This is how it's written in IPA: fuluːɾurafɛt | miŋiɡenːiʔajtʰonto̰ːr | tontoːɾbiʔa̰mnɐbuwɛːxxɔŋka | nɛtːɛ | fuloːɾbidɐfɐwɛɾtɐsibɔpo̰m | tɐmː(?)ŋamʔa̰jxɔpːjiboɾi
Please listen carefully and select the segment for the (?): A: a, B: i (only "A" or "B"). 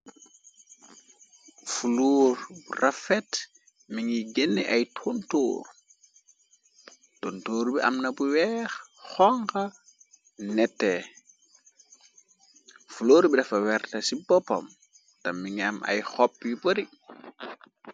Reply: B